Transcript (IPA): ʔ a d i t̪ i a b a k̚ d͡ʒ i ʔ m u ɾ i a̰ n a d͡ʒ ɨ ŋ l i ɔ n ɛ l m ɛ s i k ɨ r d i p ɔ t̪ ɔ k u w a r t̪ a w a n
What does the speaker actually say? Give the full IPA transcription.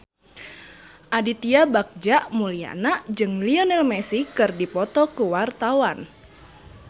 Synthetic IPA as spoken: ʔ a d i t̪ i a b a k̚ d͡ʒ a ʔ m u l i a̰ n a d͡ʒ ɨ ŋ l i ɔ n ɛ l m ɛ s i k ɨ r d i p ɔ t̪ ɔ k u w a r t̪ a w a n

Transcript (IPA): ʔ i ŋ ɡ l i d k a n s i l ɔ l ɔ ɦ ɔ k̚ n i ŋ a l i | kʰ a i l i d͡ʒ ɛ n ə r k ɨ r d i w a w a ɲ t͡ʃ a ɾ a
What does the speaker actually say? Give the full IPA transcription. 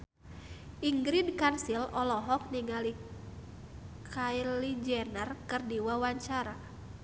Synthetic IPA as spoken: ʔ i ŋ ɡ ɾ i d k a n s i l ɔ l ɔ ɦ ɔ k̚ n i ŋ a l i | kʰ a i l i d͡ʒ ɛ n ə r k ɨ r d i w a w a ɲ t͡ʃ a ɾ a

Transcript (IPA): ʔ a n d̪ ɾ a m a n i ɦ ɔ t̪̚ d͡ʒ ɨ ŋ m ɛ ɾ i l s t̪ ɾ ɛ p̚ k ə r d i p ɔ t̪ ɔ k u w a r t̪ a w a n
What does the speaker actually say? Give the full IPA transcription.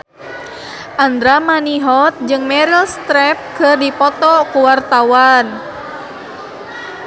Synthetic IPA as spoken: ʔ a n d̪ ɾ a m a n i ɦ ɔ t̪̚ d͡ʒ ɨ ŋ m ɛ ɾ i l s t̪ ɾ ɛ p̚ k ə r d i p ɔ t̪ ɔ k u w a r t̪ a w a n

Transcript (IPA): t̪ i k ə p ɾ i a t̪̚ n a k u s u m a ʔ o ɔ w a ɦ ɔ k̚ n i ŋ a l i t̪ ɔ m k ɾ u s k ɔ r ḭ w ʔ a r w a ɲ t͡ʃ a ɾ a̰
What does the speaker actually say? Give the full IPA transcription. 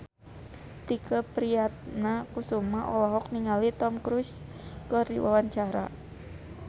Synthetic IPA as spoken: t̪ i k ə p ɾ i a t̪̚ n a k u s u m a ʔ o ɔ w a ɦ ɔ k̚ n i ŋ a l i t̪ ɔ m k ɾ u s k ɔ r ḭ w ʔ a w a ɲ t͡ʃ a ɾ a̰

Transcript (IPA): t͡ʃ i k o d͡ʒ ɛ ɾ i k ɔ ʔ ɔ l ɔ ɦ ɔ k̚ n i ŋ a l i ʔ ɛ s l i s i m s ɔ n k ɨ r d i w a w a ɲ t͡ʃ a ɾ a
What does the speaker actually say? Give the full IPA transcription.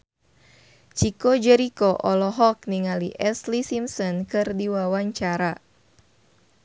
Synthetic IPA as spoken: t͡ʃ i k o d͡ʒ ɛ ɾ i k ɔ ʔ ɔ l ɔ ɦ ɔ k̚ n i ŋ a l i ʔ ɛ s l i s i m s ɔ n k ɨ r d i w a w a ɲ t͡ʃ a ɾ a

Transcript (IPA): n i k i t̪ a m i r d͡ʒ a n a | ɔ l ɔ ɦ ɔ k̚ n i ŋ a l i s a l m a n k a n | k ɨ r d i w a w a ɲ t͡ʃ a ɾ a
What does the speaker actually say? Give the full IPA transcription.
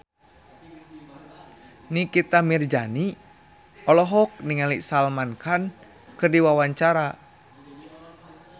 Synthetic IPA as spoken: n i k i t̪ a m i r d͡ʒ a n i | ɔ l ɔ ɦ ɔ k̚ n i ŋ a l i s a l m a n k a n | k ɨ r d i w a w a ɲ t͡ʃ a ɾ a

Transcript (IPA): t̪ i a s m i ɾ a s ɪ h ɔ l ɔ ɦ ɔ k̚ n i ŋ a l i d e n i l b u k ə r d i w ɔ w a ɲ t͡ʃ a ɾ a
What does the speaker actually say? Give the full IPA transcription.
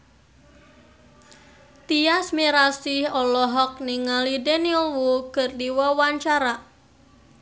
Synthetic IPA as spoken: t̪ i a s m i ɾ a s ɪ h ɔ l ɔ ɦ ɔ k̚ n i ŋ a l i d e n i l w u k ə r d i w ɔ w a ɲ t͡ʃ a ɾ a

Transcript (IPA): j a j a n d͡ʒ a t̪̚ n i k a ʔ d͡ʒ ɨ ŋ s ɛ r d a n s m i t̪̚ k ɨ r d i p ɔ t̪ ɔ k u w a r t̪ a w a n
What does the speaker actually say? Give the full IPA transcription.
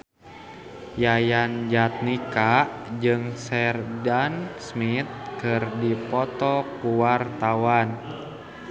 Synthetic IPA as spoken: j a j a n d͡ʒ a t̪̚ n i k a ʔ d͡ʒ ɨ ŋ s ɛ r d a n s m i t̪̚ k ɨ r d i p ɔ t̪ ɔ k u w a r t̪ a w a n

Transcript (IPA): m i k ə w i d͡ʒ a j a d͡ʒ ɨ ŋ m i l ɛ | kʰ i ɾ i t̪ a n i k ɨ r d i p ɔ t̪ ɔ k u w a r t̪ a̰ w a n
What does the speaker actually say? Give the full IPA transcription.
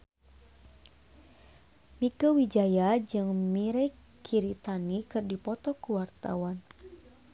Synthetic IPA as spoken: m i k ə w i d͡ʒ a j a d͡ʒ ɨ ŋ m i ɾ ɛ | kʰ i ɾ i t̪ a n i k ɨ r d i p ɔ t̪ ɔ k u w a r t̪ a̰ w a n

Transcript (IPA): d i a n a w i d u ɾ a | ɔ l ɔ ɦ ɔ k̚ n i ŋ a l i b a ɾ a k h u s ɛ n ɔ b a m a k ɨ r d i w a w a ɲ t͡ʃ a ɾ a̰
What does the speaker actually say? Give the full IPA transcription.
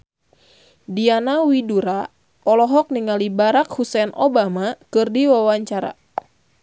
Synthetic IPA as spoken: d i a n a w i d u ɾ a | ɔ l ɔ ɦ ɔ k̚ n i ŋ a l i b a ɾ a k h u s ɛ n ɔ b a m a k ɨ r d i w a w a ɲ t͡ʃ a ɾ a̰

